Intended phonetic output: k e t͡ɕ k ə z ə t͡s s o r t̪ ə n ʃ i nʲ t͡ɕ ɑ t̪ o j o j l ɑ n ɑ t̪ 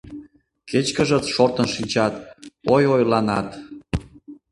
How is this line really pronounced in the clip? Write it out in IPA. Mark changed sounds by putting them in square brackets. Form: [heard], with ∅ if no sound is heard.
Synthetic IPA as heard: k e t͡ɕ k ə [ʒ] ə t͡s [ʃ] o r t̪ ə n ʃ i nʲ t͡ɕ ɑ t̪ o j o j l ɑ n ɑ t̪